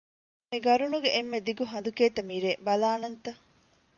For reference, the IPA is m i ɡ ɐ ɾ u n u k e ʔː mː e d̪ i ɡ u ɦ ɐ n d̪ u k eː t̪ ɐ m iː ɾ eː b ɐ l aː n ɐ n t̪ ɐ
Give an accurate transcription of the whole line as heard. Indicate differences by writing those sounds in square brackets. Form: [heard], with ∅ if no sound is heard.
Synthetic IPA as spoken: m i ɡ ɐ ɾ u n u [ɡ] e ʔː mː e d̪ i ɡ u ɦ ɐ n d̪ u k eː t̪ ɐ m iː ɾ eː b ɐ l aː n ɐ n t̪ ɐ